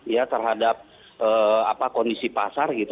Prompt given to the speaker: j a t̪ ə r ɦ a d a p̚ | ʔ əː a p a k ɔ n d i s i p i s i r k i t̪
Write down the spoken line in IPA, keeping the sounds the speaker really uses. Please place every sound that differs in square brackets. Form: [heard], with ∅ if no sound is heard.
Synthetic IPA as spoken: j a t̪ ə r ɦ a d a p̚ | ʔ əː a p a k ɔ n d i s i p [a] s [a] r [ɡ] i t̪